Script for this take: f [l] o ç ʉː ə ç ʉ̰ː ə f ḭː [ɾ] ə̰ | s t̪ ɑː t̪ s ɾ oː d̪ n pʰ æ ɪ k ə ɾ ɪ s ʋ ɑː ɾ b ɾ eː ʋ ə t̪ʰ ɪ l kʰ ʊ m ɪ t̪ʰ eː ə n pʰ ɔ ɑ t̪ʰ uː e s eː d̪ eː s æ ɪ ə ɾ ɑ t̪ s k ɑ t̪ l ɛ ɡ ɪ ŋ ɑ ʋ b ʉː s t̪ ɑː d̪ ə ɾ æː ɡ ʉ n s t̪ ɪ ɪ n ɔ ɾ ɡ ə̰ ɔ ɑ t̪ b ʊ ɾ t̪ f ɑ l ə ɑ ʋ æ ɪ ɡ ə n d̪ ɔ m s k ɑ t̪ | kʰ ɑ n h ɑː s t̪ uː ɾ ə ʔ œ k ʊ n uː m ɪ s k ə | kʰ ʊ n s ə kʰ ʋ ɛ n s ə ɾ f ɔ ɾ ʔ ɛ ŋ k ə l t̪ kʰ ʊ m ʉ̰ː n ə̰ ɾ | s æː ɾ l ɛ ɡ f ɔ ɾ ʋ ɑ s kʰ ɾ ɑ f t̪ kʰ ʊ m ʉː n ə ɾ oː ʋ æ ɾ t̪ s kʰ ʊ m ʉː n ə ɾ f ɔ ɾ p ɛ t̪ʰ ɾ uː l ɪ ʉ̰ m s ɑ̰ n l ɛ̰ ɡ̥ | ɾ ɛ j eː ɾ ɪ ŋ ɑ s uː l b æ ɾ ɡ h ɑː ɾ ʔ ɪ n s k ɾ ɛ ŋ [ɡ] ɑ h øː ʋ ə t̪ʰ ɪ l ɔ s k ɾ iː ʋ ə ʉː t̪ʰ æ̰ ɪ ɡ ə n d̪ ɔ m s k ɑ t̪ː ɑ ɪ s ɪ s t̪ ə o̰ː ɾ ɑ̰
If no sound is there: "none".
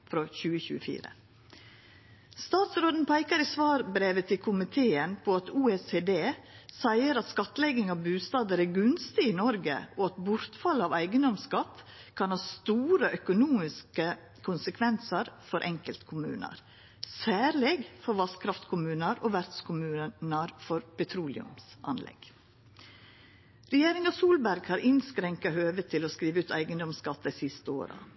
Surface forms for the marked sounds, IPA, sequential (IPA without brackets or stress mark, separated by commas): ɾ, ɾ, k